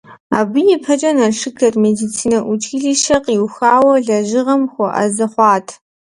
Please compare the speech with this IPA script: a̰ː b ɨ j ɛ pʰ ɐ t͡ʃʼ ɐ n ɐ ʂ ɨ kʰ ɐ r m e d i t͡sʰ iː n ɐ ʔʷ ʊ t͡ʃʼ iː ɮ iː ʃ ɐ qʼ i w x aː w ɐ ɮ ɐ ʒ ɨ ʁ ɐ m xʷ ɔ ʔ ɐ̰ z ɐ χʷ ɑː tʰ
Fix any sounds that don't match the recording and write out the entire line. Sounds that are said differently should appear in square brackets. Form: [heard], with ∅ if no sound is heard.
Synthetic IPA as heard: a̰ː b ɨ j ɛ pʰ ɐ t͡ʃʼ ɐ n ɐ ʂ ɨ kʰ ɐ r m e d i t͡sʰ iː n ɐ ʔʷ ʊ t͡ʃʼ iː ɮ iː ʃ ɐ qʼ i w x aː w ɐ ɮ ɐ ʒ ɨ ʁ ɐ m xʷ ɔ ʔ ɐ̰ z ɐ χʷ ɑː tʰ